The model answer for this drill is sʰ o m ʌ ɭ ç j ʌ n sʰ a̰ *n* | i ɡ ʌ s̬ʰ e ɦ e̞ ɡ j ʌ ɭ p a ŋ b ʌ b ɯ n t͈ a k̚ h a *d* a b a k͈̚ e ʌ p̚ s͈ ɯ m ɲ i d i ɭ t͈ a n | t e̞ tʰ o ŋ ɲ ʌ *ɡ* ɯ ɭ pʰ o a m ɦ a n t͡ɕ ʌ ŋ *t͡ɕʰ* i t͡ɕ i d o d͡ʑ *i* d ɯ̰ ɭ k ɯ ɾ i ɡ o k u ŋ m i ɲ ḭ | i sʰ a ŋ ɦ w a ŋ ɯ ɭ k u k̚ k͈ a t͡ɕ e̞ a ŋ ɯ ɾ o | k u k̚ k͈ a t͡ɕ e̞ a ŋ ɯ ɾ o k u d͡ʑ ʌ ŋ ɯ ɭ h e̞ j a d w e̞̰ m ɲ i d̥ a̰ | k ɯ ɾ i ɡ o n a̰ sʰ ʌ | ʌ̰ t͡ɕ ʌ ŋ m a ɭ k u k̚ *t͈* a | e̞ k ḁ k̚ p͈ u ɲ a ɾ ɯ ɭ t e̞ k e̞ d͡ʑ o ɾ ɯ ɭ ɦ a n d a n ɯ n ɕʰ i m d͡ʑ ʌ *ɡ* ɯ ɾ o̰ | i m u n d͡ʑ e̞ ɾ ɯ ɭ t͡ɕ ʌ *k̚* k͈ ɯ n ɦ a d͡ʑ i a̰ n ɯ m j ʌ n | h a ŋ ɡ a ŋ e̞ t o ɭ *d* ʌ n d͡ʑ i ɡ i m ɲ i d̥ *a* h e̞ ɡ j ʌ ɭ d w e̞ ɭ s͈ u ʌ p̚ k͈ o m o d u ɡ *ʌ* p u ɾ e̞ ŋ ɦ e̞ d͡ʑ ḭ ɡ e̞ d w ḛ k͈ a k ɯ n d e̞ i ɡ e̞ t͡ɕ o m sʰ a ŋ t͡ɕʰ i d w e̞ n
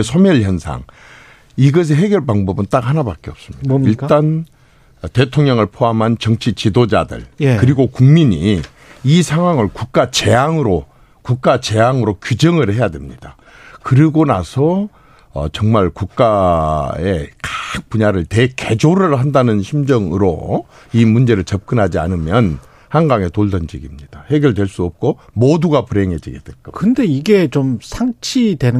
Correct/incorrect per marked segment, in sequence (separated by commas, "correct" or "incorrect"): incorrect, incorrect, incorrect, correct, incorrect, incorrect, incorrect, incorrect, correct, correct, incorrect